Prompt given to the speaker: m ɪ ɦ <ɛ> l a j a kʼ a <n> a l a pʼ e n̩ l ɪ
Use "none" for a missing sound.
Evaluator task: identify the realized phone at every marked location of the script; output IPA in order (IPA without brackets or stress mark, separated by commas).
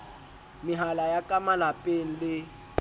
a, m